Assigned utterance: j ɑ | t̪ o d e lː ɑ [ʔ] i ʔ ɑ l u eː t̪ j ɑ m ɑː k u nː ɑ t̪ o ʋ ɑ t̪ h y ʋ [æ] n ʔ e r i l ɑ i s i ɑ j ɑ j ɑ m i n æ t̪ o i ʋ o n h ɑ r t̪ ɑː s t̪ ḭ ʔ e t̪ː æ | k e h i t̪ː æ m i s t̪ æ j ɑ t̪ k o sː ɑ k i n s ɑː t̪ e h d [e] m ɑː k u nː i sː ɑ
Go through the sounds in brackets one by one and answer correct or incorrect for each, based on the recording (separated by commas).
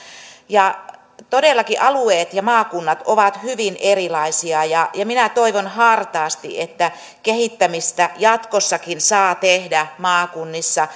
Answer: incorrect, incorrect, incorrect